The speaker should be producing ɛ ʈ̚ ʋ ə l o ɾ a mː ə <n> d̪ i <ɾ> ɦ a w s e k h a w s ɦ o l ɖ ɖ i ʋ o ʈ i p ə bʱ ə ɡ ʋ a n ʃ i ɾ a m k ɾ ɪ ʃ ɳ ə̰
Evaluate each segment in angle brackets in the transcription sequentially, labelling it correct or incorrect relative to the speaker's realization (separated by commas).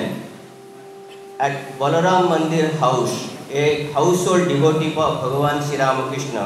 correct, correct